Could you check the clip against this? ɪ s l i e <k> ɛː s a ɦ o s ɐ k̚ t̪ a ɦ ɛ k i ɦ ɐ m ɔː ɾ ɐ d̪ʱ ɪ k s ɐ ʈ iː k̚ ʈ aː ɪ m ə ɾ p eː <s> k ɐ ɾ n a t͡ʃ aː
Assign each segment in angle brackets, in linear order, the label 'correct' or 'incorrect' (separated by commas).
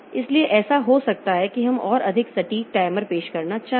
incorrect, incorrect